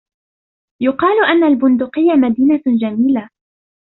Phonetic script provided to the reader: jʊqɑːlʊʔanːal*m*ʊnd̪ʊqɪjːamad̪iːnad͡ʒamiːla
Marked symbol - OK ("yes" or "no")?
no